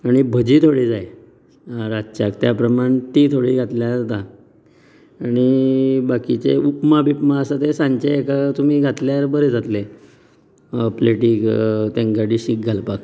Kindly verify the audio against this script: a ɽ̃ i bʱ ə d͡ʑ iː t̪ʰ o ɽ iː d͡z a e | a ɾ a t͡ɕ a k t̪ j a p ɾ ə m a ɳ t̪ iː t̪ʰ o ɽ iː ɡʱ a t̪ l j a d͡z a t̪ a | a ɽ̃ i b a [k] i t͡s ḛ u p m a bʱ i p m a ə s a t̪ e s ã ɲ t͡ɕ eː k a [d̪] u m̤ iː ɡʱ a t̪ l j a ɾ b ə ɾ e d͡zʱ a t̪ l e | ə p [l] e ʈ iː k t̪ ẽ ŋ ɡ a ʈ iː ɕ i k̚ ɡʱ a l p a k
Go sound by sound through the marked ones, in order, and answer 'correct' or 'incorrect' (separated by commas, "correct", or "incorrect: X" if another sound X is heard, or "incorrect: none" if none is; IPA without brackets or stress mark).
correct, incorrect: t̪, correct